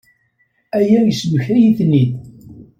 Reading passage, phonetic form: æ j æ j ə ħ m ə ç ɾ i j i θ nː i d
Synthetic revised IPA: æ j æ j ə s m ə ç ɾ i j i θ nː i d